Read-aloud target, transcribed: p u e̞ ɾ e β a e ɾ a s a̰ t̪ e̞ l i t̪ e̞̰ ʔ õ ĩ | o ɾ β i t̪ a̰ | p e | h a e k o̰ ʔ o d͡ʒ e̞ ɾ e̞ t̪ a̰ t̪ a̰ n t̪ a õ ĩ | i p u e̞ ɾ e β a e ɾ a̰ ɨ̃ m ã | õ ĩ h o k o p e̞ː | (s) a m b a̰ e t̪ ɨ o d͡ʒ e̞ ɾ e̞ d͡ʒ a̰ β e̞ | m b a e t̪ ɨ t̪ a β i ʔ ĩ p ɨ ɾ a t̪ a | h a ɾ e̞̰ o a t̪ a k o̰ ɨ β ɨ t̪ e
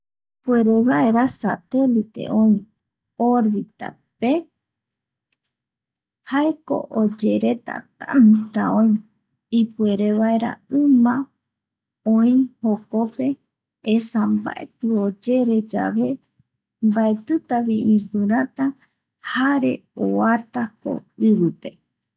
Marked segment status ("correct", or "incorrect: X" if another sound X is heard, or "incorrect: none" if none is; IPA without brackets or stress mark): correct